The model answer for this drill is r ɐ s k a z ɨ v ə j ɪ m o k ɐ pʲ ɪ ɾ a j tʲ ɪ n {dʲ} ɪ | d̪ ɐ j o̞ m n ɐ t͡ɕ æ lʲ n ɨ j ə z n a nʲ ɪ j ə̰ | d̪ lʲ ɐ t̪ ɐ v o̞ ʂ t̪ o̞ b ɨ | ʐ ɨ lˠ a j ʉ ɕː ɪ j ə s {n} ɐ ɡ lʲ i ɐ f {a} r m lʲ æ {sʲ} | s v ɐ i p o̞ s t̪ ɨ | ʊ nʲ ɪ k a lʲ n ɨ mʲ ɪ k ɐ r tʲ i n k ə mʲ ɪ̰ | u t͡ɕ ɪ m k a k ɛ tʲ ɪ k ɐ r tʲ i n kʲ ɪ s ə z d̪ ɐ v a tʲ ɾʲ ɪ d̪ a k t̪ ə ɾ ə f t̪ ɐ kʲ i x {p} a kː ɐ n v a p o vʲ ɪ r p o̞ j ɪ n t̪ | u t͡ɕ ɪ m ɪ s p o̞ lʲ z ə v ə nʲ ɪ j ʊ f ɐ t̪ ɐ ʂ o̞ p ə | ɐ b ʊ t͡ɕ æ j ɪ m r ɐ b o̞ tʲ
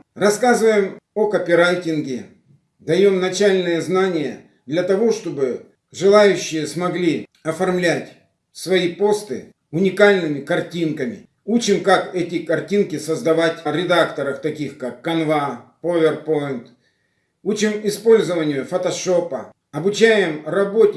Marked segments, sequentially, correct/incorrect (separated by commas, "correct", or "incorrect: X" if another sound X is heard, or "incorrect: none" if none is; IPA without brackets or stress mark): incorrect: ɡʲ, incorrect: m, incorrect: ɐ, incorrect: tʲ, incorrect: k